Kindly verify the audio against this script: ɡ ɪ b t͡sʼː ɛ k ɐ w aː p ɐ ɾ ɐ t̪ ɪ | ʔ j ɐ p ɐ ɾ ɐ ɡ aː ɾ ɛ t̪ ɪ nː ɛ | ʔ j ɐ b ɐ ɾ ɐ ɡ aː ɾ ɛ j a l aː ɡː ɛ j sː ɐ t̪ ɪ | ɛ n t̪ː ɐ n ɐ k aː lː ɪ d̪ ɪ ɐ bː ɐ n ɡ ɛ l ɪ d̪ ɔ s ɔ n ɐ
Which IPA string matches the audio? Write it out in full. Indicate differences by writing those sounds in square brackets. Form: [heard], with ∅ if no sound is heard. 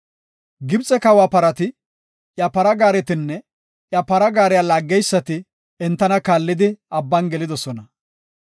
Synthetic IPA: ɡ ɪ b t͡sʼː ɛ k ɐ w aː p ɐ ɾ ɐ t̪ ɪ | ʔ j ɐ p ɐ ɾ ɐ ɡ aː ɾ ɛ t̪ ɪ nː ɛ | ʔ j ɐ [p] ɐ ɾ ɐ ɡ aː ɾ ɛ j a l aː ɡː ɛ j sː ɐ t̪ ɪ | ɛ n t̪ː ɐ n ɐ k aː lː ɪ d̪ ɪ ɐ bː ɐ n ɡ ɛ l ɪ d̪ ɔ s ɔ n ɐ